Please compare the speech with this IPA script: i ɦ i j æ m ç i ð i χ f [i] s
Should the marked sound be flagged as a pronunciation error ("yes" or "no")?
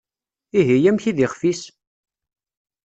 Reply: no